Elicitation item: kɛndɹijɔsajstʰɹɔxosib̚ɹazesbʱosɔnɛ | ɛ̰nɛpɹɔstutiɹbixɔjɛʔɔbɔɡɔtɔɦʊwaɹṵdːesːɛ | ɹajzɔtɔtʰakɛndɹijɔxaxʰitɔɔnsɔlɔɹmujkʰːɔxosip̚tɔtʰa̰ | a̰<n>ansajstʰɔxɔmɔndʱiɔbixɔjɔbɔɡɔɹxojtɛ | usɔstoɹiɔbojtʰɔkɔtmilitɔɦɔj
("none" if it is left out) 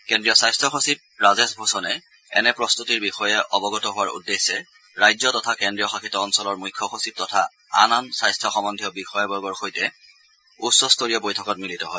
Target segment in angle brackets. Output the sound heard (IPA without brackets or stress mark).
n